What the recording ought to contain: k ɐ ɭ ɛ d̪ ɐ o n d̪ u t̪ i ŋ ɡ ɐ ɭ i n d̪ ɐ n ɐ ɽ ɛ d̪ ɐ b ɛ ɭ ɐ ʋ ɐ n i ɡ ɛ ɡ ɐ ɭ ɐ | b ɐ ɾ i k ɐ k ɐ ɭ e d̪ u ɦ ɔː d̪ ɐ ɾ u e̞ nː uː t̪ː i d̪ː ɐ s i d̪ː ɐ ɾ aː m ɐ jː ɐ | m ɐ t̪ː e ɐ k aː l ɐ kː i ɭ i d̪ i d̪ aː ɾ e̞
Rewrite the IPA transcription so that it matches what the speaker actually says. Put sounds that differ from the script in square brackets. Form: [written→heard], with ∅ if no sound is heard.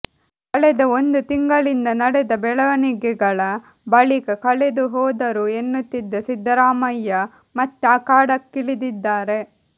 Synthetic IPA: k ɐ ɭ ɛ d̪ ɐ o n d̪ u t̪ i ŋ ɡ ɐ ɭ i n d̪ ɐ n ɐ ɽ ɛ d̪ ɐ b ɛ ɭ ɐ ʋ ɐ n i ɡ ɛ ɡ ɐ ɭ ɐ | b ɐ [ɾ→ɭ] i k ɐ k ɐ ɭ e d̪ u ɦ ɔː d̪ ɐ ɾ u e̞ nː [uː→u] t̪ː i d̪ː ɐ s i d̪ː ɐ ɾ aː m ɐ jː ɐ | m ɐ t̪ː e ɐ k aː [l→ɽ] ɐ kː i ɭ i d̪ i [d̪→d̪ː] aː ɾ e̞

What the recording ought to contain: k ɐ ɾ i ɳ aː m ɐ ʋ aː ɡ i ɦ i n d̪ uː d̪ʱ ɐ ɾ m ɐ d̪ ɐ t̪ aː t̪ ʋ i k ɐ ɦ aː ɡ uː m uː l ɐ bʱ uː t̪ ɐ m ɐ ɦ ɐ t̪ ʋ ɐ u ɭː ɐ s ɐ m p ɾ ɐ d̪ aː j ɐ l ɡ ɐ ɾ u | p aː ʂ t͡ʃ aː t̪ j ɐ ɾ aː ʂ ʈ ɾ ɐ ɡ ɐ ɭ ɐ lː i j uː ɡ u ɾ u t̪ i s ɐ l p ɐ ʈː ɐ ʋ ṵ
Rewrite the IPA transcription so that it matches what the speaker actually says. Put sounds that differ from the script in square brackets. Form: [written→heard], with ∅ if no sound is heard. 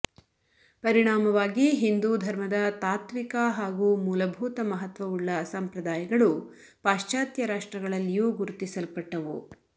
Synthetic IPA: [k→p] ɐ ɾ i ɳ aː m ɐ ʋ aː ɡ i ɦ i n d̪ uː d̪ʱ ɐ ɾ m ɐ d̪ ɐ t̪ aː t̪ ʋ i k ɐ ɦ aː ɡ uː m uː l ɐ bʱ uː t̪ ɐ m ɐ ɦ ɐ t̪ ʋ ɐ u ɭː ɐ s ɐ m p ɾ ɐ d̪ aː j ɐ [l→∅] ɡ ɐ [ɾ→ɭ] u | p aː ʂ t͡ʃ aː t̪ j ɐ ɾ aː ʂ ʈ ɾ ɐ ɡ ɐ ɭ ɐ lː i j uː ɡ u ɾ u t̪ i s ɐ l p ɐ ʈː ɐ ʋ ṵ

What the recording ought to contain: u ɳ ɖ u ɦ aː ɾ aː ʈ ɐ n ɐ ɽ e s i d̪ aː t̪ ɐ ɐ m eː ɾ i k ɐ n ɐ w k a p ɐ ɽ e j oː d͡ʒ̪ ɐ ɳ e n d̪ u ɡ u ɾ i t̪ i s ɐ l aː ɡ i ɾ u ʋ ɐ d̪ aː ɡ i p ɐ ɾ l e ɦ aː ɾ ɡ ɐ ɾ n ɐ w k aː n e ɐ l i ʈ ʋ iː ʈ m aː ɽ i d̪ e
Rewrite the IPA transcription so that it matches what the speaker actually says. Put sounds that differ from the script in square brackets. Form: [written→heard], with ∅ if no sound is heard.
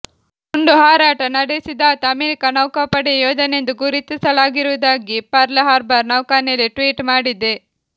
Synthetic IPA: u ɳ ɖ u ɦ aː ɾ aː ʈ ɐ n ɐ ɽ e s i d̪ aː t̪ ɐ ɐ m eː ɾ i k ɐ n ɐ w k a p ɐ ɽ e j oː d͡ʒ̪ ɐ [ɳ→n] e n d̪ u ɡ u ɾ i t̪ i s ɐ l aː ɡ i ɾ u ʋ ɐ d̪ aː ɡ i p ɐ ɾ l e ɦ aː ɾ [ɡ→b] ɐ ɾ n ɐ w k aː n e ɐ l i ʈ ʋ iː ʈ m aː ɽ i d̪ e

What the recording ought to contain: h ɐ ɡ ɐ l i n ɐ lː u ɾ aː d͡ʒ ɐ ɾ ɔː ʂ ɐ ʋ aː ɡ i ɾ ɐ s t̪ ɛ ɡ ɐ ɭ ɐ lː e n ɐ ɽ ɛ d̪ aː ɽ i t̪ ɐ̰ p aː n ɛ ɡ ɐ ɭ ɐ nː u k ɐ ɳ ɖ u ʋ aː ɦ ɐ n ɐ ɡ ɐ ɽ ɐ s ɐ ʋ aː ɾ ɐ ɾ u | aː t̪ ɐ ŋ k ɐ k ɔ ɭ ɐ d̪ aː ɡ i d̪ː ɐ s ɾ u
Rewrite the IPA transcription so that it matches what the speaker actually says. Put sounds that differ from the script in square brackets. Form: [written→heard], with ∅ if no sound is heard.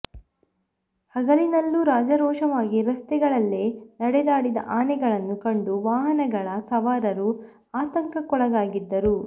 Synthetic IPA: h ɐ ɡ ɐ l i n ɐ lː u ɾ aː d͡ʒ ɐ ɾ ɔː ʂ ɐ ʋ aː ɡ i ɾ ɐ s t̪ ɛ ɡ ɐ ɭ ɐ lː e n ɐ ɽ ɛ d̪ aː ɽ i [t̪→d̪] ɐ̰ [p→ʔ] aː n ɛ ɡ ɐ ɭ ɐ nː u k ɐ ɳ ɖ u ʋ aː ɦ ɐ n ɐ ɡ ɐ [ɽ→ɭ] ɐ s ɐ ʋ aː ɾ ɐ ɾ u | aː t̪ ɐ ŋ k ɐ k ɔ ɭ ɐ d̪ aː ɡ i d̪ː ɐ [s→∅] ɾ u

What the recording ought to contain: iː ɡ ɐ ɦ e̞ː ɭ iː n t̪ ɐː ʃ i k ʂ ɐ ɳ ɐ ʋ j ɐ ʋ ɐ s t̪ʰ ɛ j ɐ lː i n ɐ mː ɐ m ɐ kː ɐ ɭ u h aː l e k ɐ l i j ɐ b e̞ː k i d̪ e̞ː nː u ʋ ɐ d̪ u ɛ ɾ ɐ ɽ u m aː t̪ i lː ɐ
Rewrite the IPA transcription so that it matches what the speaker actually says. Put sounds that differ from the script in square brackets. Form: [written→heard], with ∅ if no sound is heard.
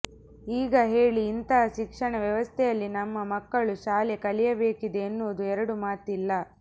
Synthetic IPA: iː ɡ ɐ ɦ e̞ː ɭ iː n t̪ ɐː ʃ i k ʂ ɐ ɳ ɐ ʋ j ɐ ʋ ɐ s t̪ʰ ɛ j ɐ lː i n ɐ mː ɐ m ɐ kː ɐ ɭ u [h→ʃ] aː l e k ɐ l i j ɐ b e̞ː k i d̪ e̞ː nː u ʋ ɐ d̪ u ɛ ɾ ɐ ɽ u m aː t̪ i lː ɐ

